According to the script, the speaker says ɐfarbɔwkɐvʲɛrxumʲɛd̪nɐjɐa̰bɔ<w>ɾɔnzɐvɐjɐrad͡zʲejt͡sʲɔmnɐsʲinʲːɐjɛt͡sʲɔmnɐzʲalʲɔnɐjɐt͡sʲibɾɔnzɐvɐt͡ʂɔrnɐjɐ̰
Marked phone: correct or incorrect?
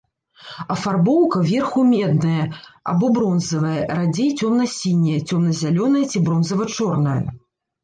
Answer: incorrect